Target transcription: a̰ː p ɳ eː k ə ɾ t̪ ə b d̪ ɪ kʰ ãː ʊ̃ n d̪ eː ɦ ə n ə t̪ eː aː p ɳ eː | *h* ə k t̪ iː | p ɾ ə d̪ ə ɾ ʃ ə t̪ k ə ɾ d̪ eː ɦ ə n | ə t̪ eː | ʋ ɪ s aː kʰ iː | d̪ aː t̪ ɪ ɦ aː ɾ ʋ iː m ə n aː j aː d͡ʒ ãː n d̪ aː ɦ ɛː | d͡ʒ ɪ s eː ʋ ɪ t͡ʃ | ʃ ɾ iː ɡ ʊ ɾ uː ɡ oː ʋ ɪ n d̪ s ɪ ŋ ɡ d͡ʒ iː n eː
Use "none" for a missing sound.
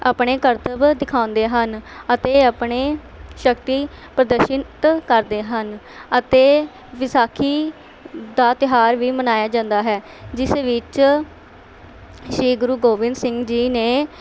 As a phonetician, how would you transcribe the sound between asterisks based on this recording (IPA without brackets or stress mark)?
ʃ